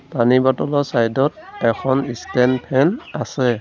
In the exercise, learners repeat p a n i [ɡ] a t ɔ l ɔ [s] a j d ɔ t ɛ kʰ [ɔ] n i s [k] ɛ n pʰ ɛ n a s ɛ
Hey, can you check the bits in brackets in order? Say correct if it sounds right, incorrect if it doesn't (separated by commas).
incorrect, correct, correct, incorrect